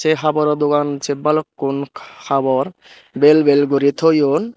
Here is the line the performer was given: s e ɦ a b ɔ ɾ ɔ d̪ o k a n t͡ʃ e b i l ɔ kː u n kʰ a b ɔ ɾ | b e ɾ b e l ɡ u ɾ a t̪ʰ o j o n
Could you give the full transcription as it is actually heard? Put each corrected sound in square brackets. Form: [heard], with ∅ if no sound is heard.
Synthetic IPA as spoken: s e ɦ a b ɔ ɾ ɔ d̪ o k a n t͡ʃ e b [a] l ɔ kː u n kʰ a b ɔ ɾ | b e [l] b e l ɡ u ɾ [i] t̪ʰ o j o n